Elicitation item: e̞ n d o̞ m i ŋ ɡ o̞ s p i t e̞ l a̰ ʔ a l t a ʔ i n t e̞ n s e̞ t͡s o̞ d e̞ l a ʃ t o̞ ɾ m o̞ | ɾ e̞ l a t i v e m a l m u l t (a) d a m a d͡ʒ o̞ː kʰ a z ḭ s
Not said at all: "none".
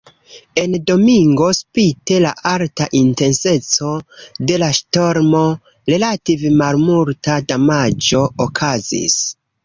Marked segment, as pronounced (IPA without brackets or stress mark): a